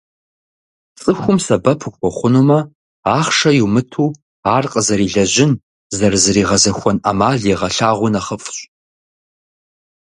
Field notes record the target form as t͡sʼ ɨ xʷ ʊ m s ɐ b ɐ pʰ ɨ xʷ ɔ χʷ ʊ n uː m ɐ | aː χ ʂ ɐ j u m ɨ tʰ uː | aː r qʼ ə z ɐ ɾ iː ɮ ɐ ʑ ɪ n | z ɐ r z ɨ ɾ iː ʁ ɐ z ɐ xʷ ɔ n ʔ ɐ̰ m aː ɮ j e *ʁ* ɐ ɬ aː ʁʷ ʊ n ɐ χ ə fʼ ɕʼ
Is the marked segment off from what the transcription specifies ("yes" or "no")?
no